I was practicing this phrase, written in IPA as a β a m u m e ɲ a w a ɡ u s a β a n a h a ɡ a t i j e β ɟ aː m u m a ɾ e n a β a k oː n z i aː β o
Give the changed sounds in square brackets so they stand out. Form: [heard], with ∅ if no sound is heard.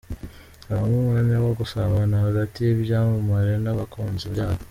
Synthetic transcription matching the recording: a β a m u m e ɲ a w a ɡ u s a β a n a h a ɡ a t i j e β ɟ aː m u m a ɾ e n a β a k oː n z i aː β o